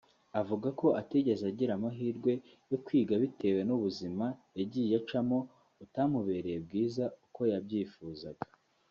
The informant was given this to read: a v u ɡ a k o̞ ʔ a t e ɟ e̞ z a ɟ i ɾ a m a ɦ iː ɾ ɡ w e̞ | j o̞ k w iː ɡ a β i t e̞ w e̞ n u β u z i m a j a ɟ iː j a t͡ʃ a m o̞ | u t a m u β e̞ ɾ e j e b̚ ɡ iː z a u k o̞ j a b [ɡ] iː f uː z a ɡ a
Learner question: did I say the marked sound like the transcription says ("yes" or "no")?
no